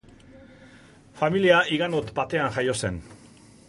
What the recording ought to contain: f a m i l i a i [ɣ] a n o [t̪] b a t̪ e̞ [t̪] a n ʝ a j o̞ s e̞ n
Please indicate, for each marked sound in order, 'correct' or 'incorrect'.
correct, correct, incorrect

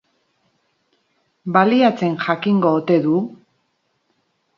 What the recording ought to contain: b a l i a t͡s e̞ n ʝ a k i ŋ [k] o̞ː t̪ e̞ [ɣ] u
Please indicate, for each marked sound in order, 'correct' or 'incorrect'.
incorrect, incorrect

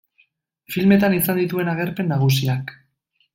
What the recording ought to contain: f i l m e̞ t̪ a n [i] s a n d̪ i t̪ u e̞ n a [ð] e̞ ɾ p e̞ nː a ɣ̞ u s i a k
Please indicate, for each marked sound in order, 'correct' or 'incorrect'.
correct, incorrect

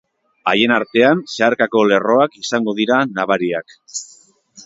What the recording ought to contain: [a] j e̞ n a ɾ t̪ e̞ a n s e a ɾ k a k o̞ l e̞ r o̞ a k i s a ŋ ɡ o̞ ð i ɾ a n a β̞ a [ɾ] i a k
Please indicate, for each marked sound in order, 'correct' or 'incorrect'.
correct, correct

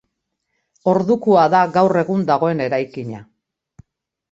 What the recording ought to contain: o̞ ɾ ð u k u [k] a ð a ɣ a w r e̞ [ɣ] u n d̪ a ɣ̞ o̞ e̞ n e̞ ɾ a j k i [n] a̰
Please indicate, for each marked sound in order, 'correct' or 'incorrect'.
incorrect, correct, incorrect

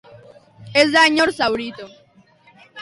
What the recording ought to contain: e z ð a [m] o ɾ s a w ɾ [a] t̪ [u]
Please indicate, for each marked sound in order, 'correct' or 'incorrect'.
incorrect, incorrect, incorrect

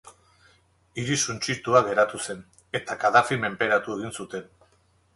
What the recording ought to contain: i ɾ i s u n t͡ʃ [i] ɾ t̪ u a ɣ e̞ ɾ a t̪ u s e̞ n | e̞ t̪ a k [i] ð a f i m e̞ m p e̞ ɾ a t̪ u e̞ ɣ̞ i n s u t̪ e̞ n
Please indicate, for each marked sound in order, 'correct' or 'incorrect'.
correct, incorrect

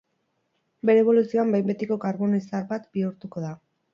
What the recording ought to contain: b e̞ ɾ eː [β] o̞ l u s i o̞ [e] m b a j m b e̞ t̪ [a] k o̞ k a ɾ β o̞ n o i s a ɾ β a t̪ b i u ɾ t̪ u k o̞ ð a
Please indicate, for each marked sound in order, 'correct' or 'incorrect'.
correct, incorrect, incorrect

